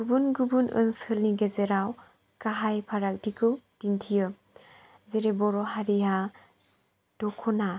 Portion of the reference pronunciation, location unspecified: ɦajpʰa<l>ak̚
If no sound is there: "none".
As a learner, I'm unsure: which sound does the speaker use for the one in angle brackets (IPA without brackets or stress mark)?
ɾ